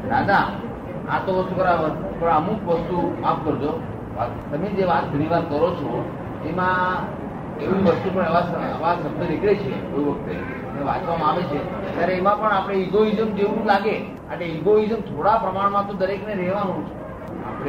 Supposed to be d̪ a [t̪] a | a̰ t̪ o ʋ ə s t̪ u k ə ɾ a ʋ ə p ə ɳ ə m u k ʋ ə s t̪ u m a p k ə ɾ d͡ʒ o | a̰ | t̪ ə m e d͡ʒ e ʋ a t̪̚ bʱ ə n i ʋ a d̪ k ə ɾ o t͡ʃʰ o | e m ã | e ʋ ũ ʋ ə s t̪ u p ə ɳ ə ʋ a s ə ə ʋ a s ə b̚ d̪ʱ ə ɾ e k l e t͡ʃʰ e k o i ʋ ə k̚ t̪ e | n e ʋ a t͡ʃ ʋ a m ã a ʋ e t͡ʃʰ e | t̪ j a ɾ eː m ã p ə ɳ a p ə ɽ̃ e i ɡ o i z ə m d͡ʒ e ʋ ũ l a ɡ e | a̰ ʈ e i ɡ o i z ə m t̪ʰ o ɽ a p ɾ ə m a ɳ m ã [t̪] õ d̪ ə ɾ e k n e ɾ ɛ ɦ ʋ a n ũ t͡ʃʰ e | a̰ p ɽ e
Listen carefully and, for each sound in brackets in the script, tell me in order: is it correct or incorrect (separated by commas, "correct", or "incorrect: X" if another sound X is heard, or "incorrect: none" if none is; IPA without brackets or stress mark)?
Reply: incorrect: d̪, correct